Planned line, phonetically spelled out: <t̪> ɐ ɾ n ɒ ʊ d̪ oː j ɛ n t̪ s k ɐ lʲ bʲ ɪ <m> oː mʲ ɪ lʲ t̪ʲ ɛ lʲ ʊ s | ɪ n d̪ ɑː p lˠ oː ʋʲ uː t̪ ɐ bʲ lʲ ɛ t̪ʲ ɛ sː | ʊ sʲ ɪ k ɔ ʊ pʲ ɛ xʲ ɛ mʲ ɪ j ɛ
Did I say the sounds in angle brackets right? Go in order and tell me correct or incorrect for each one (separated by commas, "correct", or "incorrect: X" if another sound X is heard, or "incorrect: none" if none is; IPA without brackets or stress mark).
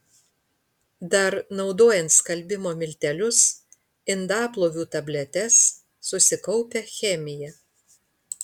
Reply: incorrect: d̪, correct